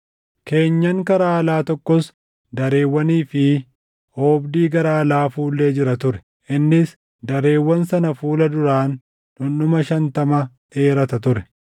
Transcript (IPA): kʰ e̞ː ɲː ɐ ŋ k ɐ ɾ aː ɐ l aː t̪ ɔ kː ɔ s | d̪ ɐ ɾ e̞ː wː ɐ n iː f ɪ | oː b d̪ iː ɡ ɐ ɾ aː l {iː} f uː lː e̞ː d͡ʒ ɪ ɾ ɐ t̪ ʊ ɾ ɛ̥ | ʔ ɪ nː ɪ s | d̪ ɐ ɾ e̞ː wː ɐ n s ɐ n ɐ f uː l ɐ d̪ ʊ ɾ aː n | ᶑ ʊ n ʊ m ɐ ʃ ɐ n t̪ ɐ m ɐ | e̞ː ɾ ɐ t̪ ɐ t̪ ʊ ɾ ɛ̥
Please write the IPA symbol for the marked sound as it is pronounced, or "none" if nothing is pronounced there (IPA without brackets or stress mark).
aː